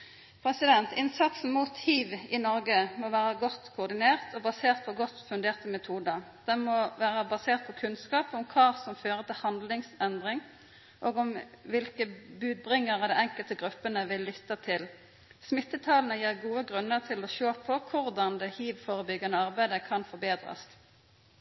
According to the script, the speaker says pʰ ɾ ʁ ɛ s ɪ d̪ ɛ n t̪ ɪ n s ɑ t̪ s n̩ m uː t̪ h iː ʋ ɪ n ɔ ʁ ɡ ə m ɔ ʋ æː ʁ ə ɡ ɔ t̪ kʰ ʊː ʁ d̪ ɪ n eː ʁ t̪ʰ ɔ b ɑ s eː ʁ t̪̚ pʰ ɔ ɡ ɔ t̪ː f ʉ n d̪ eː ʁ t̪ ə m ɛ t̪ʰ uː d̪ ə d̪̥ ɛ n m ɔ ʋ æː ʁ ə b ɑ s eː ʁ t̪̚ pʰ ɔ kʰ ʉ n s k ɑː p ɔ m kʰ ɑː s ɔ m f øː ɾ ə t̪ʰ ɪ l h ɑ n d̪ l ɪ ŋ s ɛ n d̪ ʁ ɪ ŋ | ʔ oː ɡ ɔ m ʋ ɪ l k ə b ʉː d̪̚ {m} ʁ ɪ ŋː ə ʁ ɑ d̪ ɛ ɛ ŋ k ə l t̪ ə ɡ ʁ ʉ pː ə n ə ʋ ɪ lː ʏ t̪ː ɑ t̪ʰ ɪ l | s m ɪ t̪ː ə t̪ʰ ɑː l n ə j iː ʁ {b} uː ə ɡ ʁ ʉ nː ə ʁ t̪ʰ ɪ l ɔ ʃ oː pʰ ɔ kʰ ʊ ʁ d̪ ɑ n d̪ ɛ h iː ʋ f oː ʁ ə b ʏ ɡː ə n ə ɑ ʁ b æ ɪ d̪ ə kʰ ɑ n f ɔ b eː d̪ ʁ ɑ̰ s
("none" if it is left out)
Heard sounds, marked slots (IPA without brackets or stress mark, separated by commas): b, ɡ